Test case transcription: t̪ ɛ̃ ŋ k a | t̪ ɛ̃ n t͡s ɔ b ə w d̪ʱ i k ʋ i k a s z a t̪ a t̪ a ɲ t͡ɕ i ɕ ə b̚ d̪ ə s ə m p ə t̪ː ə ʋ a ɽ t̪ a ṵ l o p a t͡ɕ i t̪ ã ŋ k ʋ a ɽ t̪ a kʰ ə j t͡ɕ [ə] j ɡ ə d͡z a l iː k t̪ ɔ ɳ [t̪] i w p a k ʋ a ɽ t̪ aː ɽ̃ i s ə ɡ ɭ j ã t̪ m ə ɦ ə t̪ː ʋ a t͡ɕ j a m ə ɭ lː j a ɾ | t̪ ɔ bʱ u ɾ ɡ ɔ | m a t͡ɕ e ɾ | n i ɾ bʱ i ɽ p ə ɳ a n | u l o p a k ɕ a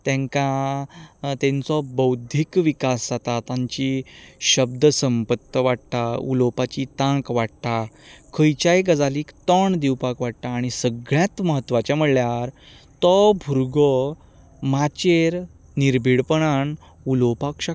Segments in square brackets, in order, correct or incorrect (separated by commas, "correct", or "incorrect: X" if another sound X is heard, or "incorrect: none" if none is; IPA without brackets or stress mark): incorrect: a, incorrect: d̪